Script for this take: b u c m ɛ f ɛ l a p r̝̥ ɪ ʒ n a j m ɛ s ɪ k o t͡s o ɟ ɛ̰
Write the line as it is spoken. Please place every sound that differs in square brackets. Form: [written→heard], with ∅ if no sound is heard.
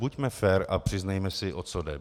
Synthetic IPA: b u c m ɛ f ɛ [l→ɾ] a p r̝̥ ɪ [ʒ→z] n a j m ɛ s ɪ [k→ʔ] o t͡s o [ɟ→d] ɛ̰